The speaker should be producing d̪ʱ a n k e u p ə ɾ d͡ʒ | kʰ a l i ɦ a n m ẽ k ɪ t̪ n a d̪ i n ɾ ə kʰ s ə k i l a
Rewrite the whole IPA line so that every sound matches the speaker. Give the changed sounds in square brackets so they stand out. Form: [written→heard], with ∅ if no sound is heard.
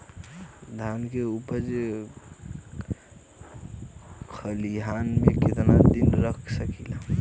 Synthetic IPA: d̪ʱ a n k e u p ə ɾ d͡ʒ | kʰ [a→ə] l i ɦ a n m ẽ k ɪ t̪ n a d̪ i n ɾ ə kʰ s ə k i l a